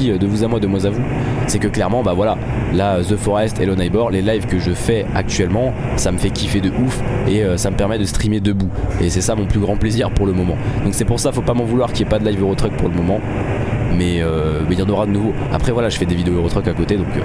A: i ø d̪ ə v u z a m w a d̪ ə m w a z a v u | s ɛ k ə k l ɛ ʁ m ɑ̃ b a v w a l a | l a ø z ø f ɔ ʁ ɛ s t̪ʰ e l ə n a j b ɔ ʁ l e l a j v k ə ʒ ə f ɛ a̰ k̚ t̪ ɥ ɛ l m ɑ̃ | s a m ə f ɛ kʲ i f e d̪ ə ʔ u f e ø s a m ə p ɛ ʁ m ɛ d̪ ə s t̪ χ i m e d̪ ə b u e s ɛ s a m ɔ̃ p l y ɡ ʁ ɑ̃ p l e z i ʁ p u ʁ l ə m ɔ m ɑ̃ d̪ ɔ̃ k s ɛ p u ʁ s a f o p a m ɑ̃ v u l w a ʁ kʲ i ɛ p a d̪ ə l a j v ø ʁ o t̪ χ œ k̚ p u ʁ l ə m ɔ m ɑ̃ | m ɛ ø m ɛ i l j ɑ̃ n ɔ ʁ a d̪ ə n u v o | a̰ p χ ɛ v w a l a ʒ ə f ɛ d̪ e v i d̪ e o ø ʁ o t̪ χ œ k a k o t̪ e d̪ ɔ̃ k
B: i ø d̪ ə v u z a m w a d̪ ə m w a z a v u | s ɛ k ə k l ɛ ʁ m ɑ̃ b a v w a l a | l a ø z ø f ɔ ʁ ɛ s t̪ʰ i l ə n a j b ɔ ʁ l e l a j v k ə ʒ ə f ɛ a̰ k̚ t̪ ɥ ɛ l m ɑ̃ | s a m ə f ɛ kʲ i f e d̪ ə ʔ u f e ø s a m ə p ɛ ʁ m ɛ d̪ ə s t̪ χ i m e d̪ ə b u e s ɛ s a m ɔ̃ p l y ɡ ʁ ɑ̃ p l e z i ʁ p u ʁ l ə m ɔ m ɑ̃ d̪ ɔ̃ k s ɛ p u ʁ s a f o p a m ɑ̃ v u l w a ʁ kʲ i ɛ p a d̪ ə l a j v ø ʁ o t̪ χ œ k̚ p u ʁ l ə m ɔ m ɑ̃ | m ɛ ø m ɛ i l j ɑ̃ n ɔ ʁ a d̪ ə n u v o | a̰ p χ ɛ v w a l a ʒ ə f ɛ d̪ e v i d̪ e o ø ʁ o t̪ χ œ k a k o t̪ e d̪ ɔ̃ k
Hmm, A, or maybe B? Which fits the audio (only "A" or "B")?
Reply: A